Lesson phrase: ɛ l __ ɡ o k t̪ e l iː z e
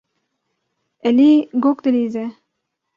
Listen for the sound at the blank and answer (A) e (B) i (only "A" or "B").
B